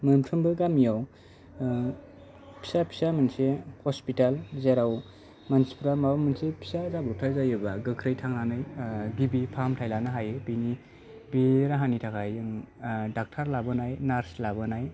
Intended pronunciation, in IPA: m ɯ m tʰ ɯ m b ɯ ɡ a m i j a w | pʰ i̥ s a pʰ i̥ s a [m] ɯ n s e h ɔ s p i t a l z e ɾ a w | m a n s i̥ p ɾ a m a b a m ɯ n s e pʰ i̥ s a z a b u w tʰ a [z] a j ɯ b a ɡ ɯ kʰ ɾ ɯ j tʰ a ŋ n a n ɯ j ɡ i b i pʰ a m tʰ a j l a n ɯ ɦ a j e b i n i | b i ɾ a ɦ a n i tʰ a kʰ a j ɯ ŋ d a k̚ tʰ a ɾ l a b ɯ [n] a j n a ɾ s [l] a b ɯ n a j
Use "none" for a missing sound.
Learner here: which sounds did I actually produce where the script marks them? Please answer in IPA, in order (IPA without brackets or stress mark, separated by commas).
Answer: m, z, n, l